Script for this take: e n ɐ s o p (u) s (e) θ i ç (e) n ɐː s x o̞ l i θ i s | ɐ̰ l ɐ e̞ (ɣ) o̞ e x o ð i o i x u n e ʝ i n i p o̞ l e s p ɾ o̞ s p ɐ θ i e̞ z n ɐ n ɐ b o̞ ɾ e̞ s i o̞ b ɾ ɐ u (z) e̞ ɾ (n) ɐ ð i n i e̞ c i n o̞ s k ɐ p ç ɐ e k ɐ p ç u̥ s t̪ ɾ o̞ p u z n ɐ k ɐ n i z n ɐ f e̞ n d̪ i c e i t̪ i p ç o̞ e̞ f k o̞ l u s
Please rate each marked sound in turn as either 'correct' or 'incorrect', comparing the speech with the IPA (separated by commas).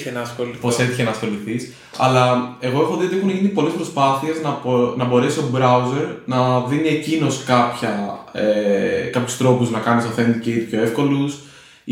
incorrect, correct, correct, correct, correct, correct